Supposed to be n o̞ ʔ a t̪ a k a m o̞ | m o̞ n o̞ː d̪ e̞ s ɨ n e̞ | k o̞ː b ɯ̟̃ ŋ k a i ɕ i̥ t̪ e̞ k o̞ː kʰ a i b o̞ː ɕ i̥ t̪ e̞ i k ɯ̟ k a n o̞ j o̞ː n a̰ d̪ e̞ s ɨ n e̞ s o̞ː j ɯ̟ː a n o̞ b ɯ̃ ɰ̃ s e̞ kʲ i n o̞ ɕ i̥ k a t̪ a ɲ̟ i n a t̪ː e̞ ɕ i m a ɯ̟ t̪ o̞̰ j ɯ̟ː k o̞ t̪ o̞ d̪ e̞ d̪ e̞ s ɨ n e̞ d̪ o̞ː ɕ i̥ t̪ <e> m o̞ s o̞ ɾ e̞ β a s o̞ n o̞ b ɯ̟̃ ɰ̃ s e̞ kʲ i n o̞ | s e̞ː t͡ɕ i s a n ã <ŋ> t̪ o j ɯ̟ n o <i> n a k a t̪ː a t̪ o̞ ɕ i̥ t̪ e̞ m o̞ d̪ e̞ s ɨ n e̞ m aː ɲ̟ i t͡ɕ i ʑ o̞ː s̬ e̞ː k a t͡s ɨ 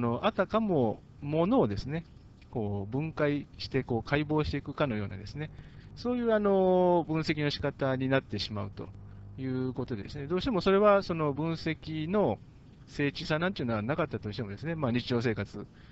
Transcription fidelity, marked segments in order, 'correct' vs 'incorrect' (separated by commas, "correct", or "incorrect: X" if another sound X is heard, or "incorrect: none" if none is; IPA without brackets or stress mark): correct, incorrect: n, incorrect: a